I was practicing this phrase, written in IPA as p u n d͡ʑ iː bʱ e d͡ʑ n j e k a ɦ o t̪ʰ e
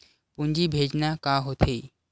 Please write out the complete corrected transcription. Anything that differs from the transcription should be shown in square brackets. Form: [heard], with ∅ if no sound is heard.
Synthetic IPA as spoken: p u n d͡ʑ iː bʱ e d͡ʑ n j [a] k a ɦ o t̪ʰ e